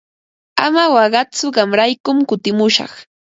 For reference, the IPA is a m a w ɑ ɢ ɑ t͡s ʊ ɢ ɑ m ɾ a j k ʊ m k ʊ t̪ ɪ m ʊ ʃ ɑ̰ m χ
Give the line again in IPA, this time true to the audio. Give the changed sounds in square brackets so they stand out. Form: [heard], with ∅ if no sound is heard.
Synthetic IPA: a m a w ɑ ɢ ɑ t͡s ʊ ɢ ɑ m ɾ a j k ʊ m k ʊ t̪ ɪ m ʊ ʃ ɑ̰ [∅] χ